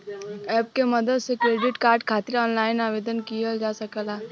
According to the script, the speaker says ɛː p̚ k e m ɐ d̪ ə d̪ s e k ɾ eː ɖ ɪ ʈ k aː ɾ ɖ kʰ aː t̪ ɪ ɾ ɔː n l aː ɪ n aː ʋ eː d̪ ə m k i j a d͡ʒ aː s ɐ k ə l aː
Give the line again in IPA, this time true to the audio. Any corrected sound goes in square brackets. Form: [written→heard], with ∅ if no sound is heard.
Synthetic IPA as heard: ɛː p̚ k e m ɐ d̪ ə d̪ s e k ɾ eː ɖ ɪ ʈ k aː ɾ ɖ kʰ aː t̪ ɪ ɾ ɔː n l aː ɪ n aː ʋ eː d̪ ə [m→n] k i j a d͡ʒ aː s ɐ k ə l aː